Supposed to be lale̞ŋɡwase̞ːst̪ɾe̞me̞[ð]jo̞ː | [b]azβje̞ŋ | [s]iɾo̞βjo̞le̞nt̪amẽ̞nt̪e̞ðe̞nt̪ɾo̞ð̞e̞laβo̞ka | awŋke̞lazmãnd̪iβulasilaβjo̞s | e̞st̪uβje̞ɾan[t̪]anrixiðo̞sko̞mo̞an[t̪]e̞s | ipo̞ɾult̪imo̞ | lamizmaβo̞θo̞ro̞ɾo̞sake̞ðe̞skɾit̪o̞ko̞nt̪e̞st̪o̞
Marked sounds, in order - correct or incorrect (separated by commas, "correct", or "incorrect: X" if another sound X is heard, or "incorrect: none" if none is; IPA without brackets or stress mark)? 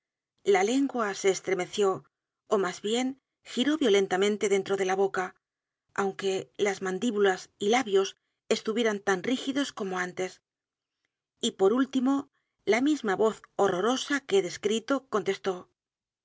incorrect: θ, incorrect: m, incorrect: x, correct, correct